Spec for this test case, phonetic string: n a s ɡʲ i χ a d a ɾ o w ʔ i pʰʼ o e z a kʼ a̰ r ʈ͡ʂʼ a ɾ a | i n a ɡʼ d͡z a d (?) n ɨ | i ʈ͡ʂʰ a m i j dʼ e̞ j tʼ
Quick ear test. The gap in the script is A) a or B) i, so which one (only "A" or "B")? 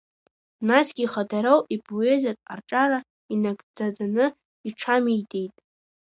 A